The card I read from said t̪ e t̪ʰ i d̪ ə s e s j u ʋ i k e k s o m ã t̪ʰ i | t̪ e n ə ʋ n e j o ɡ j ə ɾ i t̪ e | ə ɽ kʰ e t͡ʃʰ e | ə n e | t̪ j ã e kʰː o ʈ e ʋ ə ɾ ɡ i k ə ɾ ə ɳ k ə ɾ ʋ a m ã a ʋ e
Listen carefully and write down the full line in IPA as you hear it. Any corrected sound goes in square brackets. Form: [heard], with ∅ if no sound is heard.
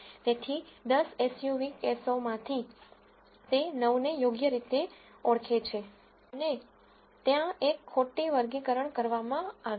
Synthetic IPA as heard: t̪ e t̪ʰ i d̪ ə s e s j u ʋ i k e [∅] s o m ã t̪ʰ i | t̪ e n ə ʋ n e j o ɡ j ə ɾ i t̪ e | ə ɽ kʰ e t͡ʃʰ e | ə n e | t̪ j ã e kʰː o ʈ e ʋ ə ɾ ɡ i k ə ɾ ə ɳ k ə ɾ ʋ a m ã a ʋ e

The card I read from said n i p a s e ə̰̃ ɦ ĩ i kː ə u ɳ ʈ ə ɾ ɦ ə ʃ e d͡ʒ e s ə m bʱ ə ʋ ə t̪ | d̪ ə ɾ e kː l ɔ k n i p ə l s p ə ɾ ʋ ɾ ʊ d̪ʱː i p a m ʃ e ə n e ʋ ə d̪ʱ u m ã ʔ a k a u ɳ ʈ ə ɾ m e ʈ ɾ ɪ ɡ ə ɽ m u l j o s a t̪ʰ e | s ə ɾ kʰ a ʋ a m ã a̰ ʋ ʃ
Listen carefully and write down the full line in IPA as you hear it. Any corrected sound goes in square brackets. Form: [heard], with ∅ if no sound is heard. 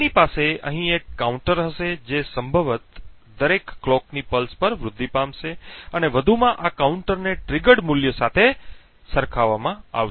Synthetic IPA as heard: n i p a s e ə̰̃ ɦ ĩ [e] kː [a] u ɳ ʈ ə ɾ ɦ ə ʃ e d͡ʒ e s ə m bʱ ə ʋ ə t̪ | d̪ ə ɾ e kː l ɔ k n i p ə l s p ə ɾ ʋ ɾ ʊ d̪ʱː i p a m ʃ e ə n e ʋ ə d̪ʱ u m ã ʔ a k a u ɳ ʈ ə ɾ [n] e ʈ ɾ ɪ ɡ ə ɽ m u l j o s a t̪ʰ e | s ə ɾ kʰ a ʋ a m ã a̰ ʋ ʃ

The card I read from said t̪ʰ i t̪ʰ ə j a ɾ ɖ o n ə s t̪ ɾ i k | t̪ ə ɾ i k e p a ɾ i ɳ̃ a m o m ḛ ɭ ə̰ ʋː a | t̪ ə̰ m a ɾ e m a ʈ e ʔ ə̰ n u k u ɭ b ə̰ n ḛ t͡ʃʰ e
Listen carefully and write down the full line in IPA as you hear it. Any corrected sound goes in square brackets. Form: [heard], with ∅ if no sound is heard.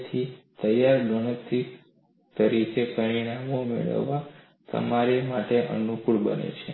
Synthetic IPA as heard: t̪ʰ i [t̪] ə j a ɾ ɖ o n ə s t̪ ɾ i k | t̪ ə ɾ i k e p [ə] ɾ i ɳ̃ a m o m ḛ ɭ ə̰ ʋː a | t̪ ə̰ m a ɾ e m a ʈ e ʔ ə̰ n u k u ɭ b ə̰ n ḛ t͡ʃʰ e

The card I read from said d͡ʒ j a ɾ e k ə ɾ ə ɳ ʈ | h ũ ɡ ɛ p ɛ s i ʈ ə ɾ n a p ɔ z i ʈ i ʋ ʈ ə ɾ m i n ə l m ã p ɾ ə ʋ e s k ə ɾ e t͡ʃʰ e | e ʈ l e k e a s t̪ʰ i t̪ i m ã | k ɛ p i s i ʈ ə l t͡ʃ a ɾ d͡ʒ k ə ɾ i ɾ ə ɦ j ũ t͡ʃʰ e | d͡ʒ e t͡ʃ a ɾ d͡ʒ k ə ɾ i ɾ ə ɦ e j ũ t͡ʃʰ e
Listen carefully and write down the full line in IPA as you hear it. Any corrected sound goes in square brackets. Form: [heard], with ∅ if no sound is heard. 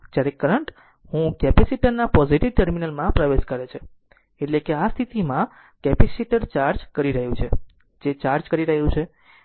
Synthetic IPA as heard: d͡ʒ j a ɾ e k ə ɾ ə ɳ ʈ | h ũ [k] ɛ p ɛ s i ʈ ə ɾ n a p ɔ z i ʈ i ʋ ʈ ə ɾ m i n ə l m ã p ɾ ə ʋ e [ʃ] k ə ɾ e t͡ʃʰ e | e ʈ l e k e a s t̪ʰ i t̪ i m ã | k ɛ p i s i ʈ ə [ɾ] t͡ʃ a ɾ d͡ʒ k ə ɾ i ɾ ə ɦ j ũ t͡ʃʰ e | d͡ʒ e t͡ʃ a ɾ d͡ʒ k ə ɾ i ɾ ə ɦ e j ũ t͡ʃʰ e

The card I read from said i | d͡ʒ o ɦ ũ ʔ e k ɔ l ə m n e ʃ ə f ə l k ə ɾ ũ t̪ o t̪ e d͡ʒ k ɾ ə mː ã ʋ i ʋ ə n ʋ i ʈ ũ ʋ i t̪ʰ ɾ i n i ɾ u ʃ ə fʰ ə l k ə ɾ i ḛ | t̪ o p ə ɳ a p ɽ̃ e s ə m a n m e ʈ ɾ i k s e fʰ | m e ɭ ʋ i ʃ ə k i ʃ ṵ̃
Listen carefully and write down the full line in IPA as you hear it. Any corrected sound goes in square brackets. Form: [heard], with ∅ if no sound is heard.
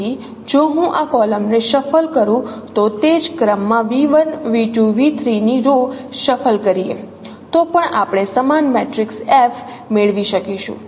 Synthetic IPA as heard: i | d͡ʒ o ɦ ũ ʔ [a] k ɔ l ə m n e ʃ ə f ə l k ə ɾ ũ t̪ o t̪ e d͡ʒ k ɾ ə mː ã ʋ i ʋ ə n ʋ i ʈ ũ ʋ i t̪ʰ ɾ i n i ɾ [o] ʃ ə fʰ ə l k ə ɾ i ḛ | t̪ o p ə ɳ a p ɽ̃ e s ə m a n m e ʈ ɾ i k s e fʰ | m e ɭ ʋ i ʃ ə k i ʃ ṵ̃

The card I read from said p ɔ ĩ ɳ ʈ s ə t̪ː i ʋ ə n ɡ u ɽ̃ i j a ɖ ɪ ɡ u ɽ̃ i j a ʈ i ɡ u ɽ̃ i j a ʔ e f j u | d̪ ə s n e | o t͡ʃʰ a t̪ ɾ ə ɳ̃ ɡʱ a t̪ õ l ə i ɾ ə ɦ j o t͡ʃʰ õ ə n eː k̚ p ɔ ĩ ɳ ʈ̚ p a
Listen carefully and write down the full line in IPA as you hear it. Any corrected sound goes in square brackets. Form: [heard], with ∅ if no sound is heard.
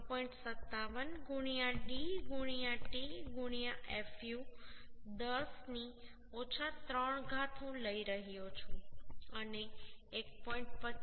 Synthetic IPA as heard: p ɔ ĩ ɳ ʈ s ə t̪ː [a] ʋ ə n ɡ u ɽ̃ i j a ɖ [i] ɡ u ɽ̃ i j a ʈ i ɡ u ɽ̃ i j a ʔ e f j u | d̪ ə s n [i] | o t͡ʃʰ a t̪ ɾ ə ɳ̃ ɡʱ a [t̪ʰ] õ l ə i ɾ ə ɦ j o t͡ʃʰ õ ə n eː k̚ p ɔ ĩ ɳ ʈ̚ p [ə]

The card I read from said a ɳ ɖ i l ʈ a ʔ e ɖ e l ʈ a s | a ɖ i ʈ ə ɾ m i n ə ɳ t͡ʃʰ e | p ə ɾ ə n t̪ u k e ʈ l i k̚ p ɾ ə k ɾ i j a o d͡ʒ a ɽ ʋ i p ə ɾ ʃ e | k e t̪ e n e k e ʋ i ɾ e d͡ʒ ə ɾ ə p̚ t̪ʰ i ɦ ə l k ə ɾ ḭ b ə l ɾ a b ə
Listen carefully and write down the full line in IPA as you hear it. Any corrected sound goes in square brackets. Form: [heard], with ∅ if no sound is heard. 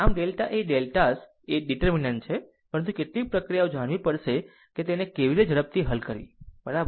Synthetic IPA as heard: a [m] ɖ [e] l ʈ a ʔ e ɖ e l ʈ a s | [e] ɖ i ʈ ə ɾ m i n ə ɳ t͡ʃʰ e | p ə ɾ ə n t̪ u k e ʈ l i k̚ p ɾ ə k ɾ i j a o d͡ʒ a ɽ ʋ i p ə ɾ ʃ e | k e t̪ e n e k e ʋ i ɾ e d͡ʒ ə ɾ ə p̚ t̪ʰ i ɦ ə l k ə ɾ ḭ b ə [∅] ɾ a b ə

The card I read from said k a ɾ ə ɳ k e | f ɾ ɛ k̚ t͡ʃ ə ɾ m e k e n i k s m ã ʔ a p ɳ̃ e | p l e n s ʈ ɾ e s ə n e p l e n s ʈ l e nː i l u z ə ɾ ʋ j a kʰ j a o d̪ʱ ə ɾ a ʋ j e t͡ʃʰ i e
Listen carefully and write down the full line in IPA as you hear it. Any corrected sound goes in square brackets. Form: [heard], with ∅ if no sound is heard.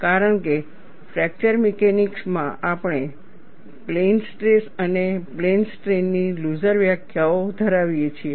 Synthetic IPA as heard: k a ɾ ə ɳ k e | f ɾ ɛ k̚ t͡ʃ ə ɾ m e k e n i k s m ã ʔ a p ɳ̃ e | p l e n s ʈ ɾ e s ə n e p l e n s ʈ [ɾ] e nː i l u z ə ɾ ʋ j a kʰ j a o d̪ʱ ə ɾ a ʋ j e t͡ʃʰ i e

